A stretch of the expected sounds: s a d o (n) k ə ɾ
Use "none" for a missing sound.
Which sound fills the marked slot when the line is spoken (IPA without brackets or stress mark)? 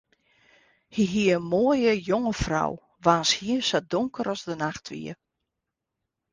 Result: ŋ